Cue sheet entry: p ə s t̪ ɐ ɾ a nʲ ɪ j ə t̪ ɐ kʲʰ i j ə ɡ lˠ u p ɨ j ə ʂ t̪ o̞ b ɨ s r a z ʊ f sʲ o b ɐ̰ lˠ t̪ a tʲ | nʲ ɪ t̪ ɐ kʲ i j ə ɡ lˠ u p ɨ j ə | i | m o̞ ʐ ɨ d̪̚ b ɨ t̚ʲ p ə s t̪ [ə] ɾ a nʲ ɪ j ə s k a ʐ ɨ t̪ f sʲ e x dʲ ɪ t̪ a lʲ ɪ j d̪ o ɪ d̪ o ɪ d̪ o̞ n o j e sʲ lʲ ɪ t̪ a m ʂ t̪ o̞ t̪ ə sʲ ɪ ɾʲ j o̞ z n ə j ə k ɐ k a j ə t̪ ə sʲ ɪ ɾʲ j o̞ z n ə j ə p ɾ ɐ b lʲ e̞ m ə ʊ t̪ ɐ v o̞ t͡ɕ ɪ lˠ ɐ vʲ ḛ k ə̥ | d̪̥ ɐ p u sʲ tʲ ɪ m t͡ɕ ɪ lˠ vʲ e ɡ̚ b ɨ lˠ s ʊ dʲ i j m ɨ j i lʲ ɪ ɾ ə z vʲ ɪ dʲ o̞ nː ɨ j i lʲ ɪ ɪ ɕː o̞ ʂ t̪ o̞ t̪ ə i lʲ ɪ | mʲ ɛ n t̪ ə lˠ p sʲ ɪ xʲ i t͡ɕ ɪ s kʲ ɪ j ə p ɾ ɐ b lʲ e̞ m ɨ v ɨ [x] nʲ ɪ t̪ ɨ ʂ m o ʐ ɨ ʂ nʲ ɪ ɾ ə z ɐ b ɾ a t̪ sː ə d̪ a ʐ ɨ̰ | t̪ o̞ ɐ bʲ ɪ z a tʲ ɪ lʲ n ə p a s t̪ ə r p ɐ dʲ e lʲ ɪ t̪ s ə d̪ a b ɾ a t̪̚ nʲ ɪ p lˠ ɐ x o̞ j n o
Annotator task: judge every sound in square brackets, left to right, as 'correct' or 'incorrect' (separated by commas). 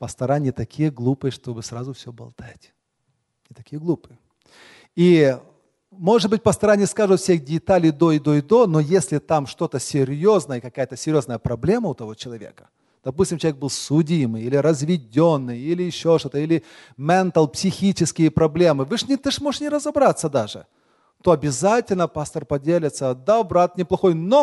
incorrect, incorrect